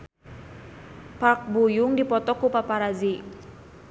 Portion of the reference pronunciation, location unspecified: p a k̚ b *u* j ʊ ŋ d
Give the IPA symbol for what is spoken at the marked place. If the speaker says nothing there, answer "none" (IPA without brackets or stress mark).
u